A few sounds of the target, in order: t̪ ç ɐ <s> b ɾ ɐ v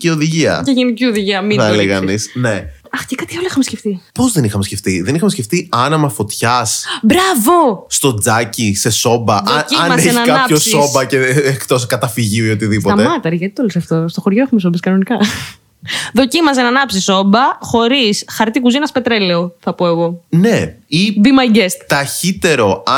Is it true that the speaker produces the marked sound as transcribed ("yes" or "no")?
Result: yes